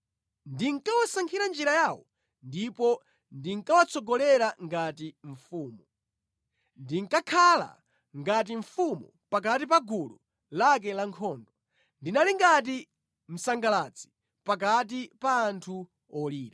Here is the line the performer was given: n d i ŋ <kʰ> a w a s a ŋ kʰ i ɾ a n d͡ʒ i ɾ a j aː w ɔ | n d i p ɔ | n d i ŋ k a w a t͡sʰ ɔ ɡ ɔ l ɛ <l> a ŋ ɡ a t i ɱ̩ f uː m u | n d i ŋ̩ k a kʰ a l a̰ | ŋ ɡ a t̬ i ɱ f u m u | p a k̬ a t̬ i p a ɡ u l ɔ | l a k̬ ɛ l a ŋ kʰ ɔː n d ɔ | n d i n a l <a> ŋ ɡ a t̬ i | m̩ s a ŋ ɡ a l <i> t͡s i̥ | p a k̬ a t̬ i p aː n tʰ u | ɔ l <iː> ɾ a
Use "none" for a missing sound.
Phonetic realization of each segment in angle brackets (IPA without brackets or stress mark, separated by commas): k, ɾ, i, a, iː